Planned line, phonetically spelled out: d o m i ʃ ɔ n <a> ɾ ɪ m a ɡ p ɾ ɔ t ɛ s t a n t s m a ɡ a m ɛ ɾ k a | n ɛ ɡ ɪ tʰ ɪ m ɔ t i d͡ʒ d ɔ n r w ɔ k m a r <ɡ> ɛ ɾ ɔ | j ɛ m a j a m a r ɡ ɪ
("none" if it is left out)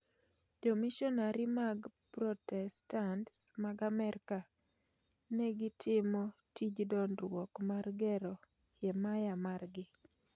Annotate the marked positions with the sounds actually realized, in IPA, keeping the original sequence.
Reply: a, ɡ

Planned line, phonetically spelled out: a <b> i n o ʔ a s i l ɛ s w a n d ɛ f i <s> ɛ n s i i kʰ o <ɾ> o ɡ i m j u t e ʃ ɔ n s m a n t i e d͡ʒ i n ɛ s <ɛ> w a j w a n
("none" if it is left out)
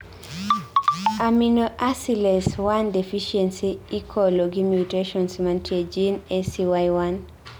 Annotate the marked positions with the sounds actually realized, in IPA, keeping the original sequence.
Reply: m, ʃ, l, i

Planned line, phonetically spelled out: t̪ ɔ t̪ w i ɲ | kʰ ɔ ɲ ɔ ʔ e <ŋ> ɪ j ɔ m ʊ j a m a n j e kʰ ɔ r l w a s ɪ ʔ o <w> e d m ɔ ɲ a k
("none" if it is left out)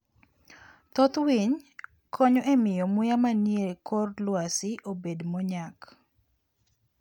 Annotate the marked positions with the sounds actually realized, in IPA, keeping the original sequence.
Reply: m, b

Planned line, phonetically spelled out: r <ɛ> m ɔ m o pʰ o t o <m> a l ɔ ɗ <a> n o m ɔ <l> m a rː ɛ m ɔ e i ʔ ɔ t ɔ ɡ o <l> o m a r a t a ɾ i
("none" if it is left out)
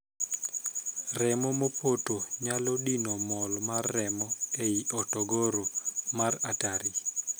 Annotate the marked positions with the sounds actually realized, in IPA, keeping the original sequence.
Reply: ɛ, ɲ, i, l, ɾ

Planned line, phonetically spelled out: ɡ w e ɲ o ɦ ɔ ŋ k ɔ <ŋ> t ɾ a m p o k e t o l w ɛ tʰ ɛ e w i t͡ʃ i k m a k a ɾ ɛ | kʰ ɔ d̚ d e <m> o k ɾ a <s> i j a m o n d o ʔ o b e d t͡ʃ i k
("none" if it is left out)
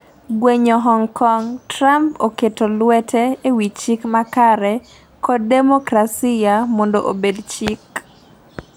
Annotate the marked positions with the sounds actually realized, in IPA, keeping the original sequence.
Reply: ŋ, m, s

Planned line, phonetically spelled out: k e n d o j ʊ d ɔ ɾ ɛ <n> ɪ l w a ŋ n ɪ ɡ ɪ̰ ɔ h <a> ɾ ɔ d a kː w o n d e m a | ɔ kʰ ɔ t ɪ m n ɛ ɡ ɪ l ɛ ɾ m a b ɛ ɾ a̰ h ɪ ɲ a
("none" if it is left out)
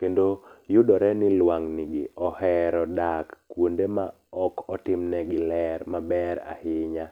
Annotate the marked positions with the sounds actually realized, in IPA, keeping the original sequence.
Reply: n, ɛ

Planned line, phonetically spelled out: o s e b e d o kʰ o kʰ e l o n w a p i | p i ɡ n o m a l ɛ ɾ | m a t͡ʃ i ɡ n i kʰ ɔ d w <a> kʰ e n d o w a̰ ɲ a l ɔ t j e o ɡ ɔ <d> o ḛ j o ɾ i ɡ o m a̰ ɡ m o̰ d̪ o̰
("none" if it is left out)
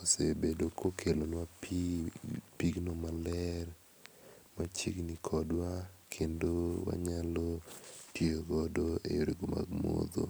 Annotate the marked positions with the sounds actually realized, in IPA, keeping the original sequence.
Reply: a, d

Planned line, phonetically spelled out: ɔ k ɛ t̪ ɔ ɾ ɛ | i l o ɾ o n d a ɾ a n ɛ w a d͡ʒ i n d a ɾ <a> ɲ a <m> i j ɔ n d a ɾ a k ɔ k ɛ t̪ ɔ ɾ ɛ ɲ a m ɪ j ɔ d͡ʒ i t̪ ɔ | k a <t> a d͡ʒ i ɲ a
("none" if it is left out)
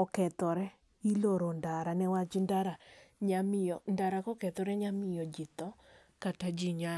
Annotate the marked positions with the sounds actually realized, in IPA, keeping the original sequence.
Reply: a, m, t

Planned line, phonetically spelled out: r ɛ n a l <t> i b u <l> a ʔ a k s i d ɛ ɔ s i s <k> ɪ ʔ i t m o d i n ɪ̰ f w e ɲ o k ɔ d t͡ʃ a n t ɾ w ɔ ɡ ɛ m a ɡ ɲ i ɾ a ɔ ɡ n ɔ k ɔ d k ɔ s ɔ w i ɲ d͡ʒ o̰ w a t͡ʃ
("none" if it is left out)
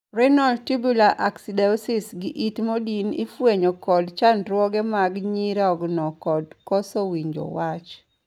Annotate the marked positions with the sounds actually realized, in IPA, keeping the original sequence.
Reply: t, l, ɡ

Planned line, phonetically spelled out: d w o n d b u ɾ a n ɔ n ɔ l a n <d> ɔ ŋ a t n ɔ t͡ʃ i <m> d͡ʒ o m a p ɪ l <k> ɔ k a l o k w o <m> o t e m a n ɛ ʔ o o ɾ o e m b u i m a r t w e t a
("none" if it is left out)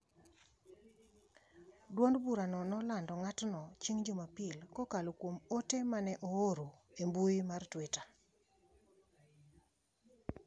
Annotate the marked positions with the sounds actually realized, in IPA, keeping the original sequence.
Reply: d, ŋ, k, m

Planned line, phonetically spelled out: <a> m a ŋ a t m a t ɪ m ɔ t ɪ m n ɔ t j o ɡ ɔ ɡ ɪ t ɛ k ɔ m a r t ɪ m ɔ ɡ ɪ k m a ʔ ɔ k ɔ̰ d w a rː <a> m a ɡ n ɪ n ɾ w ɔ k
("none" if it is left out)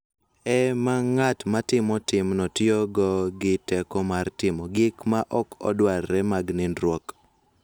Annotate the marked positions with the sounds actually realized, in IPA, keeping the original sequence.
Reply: ɛ, ɛ

